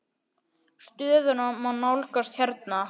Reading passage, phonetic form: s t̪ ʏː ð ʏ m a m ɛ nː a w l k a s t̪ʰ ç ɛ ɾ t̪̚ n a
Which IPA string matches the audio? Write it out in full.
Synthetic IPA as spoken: s t̪ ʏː ð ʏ n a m a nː a w l k a s t̪ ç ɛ ɾ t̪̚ n a